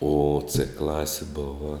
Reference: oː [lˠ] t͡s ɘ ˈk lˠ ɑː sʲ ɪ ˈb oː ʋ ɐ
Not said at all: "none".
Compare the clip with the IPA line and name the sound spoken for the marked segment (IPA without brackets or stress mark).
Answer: none